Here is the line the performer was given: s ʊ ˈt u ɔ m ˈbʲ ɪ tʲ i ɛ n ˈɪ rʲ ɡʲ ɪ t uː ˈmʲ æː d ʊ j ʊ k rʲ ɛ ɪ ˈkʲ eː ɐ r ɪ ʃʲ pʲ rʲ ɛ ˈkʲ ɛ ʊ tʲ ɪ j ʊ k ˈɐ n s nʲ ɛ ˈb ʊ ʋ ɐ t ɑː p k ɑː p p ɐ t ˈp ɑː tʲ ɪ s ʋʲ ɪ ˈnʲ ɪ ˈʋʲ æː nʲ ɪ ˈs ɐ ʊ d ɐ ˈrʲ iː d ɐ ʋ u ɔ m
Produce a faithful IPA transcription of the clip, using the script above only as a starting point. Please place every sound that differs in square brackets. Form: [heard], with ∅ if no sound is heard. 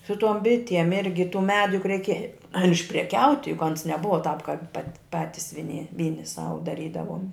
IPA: s ʊ ˈt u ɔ m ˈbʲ ɪ tʲ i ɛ [m] ˈɪ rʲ ɡʲ ɪ t uː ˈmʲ æː d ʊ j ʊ k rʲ ɛ ɪ ˈkʲ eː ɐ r ɪ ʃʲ pʲ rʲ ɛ ˈkʲ ɛ ʊ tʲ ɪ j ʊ k ˈɐ n s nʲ ɛ ˈb ʊ ʋ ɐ t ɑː p k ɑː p p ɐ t ˈp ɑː tʲ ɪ s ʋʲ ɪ ˈnʲ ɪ ˈʋʲ [iː] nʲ ɪ ˈs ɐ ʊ d ɐ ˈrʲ iː d ɐ ʋ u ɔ m